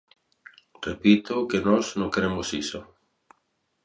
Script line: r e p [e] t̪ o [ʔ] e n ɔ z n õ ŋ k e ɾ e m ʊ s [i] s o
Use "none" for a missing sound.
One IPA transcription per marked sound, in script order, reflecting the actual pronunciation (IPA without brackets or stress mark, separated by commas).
i, k, i